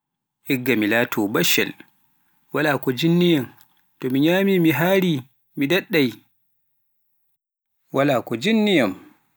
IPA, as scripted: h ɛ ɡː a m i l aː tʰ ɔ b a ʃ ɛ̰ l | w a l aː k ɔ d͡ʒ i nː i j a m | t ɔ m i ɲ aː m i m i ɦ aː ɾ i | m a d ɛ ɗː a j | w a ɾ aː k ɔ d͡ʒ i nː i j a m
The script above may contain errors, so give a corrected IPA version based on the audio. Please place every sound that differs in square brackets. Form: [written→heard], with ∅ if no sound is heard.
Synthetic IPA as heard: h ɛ ɡː a m i l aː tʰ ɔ b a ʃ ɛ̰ l | w a l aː k ɔ d͡ʒ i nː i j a m | t ɔ m i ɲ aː m i m i ɦ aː ɾ i | m [a→i] d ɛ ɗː a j | w a [ɾ→l] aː k ɔ d͡ʒ i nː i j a m

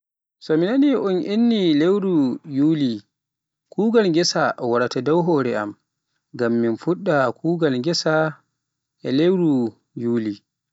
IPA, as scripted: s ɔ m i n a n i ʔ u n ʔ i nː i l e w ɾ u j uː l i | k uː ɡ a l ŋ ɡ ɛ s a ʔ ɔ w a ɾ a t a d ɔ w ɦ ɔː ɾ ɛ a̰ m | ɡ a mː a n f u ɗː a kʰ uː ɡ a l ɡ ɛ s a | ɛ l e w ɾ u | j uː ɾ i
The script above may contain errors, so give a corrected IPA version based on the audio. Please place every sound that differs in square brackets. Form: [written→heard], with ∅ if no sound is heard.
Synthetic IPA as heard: s ɔ m i n a n i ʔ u n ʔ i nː i l e w ɾ u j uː l i | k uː ɡ a l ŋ ɡ ɛ s a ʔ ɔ w a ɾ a t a d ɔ w ɦ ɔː ɾ ɛ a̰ m | ɡ a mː [a→i] n f u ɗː a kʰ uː ɡ a l ɡ ɛ s a | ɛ l e w ɾ u | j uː [ɾ→l] i

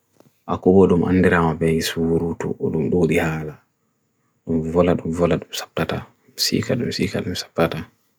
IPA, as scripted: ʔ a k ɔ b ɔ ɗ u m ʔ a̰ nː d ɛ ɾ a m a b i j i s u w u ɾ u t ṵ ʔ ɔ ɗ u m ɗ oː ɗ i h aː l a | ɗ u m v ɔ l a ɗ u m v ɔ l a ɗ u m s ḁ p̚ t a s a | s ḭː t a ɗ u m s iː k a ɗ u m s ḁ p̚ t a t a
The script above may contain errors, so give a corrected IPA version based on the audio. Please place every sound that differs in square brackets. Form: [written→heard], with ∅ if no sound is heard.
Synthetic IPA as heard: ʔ a k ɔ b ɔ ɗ u m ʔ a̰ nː d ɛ ɾ a m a b [i→ɛ] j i s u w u ɾ u t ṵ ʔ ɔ ɗ u m ɗ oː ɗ i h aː l a | ɗ u m v ɔ l a ɗ u m v ɔ l a ɗ u m s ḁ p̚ t a [s→t] a | s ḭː [t→k] a ɗ u m s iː k a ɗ u m s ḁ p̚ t a t a

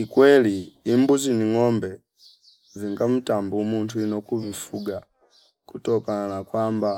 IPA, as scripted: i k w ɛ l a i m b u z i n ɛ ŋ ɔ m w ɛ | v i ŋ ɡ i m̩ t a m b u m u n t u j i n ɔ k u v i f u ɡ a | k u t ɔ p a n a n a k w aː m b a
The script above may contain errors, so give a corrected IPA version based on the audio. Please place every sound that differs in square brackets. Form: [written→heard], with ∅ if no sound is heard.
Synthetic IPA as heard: i k w ɛ l [a→i] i m b u z i n [ɛ→i] ŋ ɔ m [w→b] ɛ | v i ŋ ɡ [i→a] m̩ t a m b u m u n t u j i n ɔ k u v i f u ɡ a | k u t ɔ [p→k] a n a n a k w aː m b a

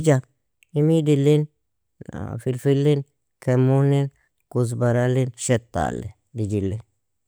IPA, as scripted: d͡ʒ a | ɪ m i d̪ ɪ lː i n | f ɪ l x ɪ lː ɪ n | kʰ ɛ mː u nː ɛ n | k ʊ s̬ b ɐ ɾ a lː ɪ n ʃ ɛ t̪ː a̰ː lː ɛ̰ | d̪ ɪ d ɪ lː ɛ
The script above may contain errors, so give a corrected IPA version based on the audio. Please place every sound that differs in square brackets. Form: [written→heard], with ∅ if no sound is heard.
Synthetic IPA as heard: d͡ʒ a | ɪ m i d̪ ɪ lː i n | f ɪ l [x→f] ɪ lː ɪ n | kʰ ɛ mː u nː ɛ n | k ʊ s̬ b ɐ ɾ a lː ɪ n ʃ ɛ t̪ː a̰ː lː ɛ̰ | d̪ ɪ [d→d͡ʒ] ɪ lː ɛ

